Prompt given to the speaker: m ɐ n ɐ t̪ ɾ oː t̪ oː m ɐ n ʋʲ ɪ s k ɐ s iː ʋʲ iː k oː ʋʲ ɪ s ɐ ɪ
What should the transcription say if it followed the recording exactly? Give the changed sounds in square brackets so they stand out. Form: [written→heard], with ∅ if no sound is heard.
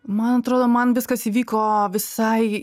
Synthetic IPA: m ɐ n ɐ t̪ ɾ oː [t̪→d̪] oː m ɐ n ʋʲ ɪ s k ɐ s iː ʋʲ iː k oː ʋʲ ɪ s ɐ ɪ

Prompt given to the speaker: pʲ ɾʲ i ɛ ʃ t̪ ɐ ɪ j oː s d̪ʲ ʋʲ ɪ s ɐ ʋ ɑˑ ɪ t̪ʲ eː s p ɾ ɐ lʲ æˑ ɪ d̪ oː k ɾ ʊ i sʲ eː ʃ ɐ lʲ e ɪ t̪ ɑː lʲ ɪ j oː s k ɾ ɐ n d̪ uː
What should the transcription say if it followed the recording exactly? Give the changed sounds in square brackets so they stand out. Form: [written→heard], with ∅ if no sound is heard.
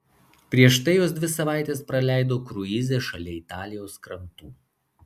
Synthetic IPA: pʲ ɾʲ i ɛ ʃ t̪ ɐ ɪ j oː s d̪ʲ ʋʲ ɪ s ɐ ʋ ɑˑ ɪ t̪ʲ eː s p ɾ ɐ lʲ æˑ ɪ d̪ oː k ɾ ʊ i [sʲ→zʲ] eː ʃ ɐ lʲ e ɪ t̪ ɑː lʲ ɪ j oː s k ɾ ɐ n [d̪→t̪] uː

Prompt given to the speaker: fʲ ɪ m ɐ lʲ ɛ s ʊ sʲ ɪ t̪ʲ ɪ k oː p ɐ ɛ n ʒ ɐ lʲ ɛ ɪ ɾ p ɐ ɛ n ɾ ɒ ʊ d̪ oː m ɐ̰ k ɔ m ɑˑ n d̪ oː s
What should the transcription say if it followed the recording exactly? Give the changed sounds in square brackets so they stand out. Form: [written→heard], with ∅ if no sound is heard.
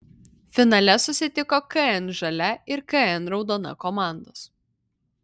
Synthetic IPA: fʲ ɪ [m→n] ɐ lʲ ɛ s ʊ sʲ ɪ t̪ʲ ɪ k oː [p→k] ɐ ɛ n ʒ ɐ lʲ ɛ ɪ ɾ [p→k] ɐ ɛ n ɾ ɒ ʊ d̪ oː [m→n] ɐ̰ k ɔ m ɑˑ n d̪ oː s

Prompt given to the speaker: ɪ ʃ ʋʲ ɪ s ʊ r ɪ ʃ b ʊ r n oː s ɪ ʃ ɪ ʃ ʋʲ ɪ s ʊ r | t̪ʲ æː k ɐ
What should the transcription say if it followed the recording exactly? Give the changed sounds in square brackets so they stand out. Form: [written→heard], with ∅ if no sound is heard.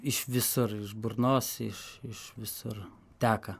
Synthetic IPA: ɪ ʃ ʋʲ ɪ s ʊ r ɪ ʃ b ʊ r n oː s ɪ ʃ ɪ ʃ ʋʲ ɪ s ʊ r | t̪ʲ æː k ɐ

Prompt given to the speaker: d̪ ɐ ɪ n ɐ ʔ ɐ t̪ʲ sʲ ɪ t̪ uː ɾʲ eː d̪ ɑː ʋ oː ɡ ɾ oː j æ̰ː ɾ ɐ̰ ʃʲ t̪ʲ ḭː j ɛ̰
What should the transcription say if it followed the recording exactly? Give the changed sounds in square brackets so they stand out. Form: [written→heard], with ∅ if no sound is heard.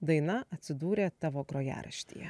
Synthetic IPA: d̪ ɐ ɪ n ɐ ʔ ɐ t̪ʲ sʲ ɪ [t̪→d̪] uː ɾʲ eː [d̪→t̪] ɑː ʋ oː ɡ ɾ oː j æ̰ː ɾ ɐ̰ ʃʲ t̪ʲ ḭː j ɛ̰

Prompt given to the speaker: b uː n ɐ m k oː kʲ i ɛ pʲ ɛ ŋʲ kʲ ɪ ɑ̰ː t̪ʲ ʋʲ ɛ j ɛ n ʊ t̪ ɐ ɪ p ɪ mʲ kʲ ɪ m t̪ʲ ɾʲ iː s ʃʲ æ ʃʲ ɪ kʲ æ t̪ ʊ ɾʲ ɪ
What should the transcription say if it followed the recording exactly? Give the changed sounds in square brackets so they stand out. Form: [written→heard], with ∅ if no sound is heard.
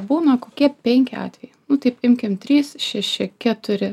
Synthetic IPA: b uː n ɐ [m→∅] k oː kʲ i ɛ pʲ ɛ ŋʲ kʲ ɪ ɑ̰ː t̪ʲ ʋʲ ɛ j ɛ n ʊ t̪ ɐ ɪ p ɪ mʲ kʲ ɪ m t̪ʲ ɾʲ iː s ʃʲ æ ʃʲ ɪ kʲ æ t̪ ʊ ɾʲ ɪ

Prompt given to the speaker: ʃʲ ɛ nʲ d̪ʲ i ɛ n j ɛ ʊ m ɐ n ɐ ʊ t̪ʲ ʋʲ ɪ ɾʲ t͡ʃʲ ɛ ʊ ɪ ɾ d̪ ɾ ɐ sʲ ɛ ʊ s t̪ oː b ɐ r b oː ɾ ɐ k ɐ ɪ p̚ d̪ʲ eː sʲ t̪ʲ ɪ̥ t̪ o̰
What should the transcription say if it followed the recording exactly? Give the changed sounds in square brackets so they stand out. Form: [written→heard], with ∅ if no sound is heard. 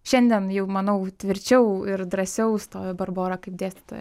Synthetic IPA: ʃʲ ɛ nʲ d̪ʲ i ɛ n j ɛ ʊ m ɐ n ɐ ʊ t̪ʲ ʋʲ ɪ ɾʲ t͡ʃʲ ɛ ʊ ɪ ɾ d̪ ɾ ɐ sʲ ɛ ʊ s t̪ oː b ɐ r b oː ɾ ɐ k ɐ ɪ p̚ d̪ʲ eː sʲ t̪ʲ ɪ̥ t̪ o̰

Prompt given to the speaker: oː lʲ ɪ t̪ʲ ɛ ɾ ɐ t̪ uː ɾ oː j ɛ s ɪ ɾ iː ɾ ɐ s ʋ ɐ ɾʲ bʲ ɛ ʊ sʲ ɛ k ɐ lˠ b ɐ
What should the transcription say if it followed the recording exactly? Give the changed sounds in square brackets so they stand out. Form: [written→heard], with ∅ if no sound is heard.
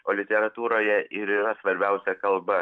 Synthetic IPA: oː lʲ ɪ t̪ʲ ɛ ɾ ɐ t̪ uː ɾ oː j ɛ [s→∅] ɪ ɾ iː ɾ ɐ s ʋ ɐ ɾʲ bʲ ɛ ʊ sʲ ɛ k ɐ lˠ b ɐ

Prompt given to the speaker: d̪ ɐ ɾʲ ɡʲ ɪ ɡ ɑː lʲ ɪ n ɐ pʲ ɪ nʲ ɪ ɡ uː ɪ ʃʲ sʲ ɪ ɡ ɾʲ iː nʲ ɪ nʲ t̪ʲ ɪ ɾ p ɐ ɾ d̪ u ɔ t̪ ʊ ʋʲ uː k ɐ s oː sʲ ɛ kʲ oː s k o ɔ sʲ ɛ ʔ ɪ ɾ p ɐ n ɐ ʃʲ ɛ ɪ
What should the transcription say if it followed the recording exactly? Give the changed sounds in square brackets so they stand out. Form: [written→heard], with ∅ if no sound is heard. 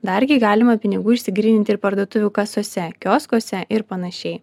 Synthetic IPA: d̪ ɐ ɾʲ ɡʲ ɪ ɡ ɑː lʲ ɪ [n→m] ɐ pʲ ɪ nʲ ɪ ɡ uː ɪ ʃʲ sʲ ɪ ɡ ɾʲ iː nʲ ɪ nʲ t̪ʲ ɪ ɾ p ɐ ɾ d̪ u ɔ t̪ ʊ ʋʲ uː k ɐ s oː sʲ ɛ kʲ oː s k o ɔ sʲ ɛ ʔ ɪ ɾ p ɐ n ɐ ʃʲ ɛ ɪ

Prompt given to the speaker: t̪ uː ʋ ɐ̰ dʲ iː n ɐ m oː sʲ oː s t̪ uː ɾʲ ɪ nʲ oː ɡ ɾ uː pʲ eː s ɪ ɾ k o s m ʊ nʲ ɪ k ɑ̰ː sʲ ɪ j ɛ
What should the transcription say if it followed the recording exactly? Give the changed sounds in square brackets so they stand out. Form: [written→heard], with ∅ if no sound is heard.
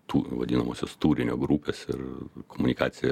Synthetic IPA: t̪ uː ʋ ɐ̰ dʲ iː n ɐ m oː sʲ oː s t̪ uː ɾʲ ɪ nʲ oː ɡ ɾ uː pʲ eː s ɪ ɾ k o [s→∅] m ʊ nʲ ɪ k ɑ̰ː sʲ ɪ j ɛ

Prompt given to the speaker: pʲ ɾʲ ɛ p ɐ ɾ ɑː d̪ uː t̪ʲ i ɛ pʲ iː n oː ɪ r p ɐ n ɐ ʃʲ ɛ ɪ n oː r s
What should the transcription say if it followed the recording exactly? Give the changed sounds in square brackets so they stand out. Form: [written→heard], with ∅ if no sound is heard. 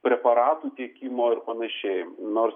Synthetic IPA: pʲ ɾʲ ɛ p ɐ ɾ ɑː [d̪→t̪] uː t̪ʲ i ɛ [pʲ→kʲ] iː [n→m] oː ɪ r p ɐ n ɐ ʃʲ ɛ ɪ n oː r s

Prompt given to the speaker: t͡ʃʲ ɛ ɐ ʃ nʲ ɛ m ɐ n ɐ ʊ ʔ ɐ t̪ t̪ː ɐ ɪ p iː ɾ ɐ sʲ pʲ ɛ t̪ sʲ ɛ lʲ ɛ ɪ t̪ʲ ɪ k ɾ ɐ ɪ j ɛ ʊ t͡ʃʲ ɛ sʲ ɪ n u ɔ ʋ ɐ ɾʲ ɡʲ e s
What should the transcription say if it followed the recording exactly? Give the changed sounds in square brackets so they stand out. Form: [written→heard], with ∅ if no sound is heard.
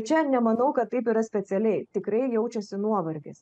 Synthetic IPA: t͡ʃʲ ɛ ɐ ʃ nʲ ɛ m ɐ n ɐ ʊ [ʔ→k] ɐ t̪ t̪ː ɐ ɪ p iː ɾ ɐ sʲ pʲ ɛ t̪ sʲ ɛ lʲ ɛ ɪ t̪ʲ ɪ k ɾ ɐ ɪ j ɛ ʊ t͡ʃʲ ɛ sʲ ɪ n u ɔ ʋ ɐ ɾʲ ɡʲ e s

